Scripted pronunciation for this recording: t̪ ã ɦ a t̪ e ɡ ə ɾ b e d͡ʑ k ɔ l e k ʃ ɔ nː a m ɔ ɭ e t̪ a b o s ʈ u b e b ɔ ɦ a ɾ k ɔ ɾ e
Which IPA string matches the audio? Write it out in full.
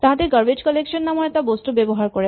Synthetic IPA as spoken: t̪ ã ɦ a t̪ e ɡ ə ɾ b e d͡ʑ k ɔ l e k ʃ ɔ nː a m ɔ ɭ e t̪ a b o s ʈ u b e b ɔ ɦ a ɾ k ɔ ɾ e